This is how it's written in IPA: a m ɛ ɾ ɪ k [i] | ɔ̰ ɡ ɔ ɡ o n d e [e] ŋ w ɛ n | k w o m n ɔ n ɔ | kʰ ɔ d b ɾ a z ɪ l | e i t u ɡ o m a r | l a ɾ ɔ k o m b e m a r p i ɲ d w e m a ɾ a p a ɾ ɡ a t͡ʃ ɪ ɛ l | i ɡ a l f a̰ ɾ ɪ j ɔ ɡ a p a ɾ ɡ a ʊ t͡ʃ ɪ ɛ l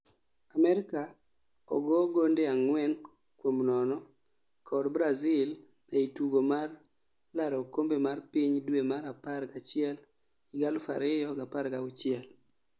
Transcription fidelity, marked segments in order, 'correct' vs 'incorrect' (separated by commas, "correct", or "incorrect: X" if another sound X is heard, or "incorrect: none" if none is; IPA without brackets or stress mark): incorrect: a, incorrect: a